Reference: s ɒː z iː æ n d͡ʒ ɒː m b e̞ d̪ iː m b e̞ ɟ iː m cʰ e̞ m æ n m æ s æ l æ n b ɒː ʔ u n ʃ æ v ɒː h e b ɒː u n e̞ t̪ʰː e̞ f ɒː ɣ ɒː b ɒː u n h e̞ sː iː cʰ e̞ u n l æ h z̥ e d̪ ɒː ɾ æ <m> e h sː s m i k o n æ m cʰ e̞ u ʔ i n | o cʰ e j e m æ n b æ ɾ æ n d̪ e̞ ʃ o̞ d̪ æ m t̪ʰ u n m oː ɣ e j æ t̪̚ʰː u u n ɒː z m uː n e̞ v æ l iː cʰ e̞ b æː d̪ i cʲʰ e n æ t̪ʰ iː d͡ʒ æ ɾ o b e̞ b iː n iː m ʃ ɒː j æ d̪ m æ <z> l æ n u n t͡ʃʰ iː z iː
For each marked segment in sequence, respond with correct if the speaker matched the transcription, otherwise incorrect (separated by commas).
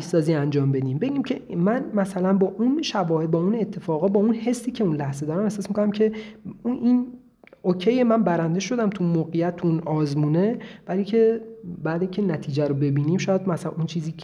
correct, incorrect